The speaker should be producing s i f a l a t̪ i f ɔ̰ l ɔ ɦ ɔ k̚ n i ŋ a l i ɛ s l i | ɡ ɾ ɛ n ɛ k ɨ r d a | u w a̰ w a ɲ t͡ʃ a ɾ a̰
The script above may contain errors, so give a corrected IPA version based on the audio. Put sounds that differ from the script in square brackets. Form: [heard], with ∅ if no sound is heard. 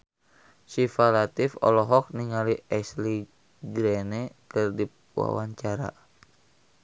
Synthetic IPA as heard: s i f a l a t̪ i f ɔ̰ l ɔ ɦ ɔ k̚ n i ŋ a l i ɛ s l i | ɡ ɾ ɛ n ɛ k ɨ r d [i] | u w a̰ w a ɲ t͡ʃ a ɾ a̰